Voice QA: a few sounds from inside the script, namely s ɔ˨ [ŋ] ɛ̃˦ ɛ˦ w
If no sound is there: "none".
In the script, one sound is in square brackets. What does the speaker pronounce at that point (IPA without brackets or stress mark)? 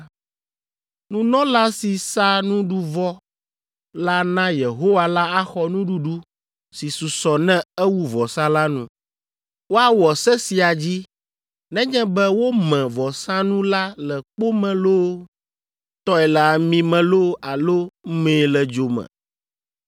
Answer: n